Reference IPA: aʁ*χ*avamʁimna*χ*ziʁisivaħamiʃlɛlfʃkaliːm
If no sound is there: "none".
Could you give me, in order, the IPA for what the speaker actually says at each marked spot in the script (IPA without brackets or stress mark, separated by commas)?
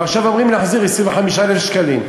ʃ, ħ